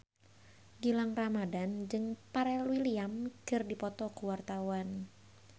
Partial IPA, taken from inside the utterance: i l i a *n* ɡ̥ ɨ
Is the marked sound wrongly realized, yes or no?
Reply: yes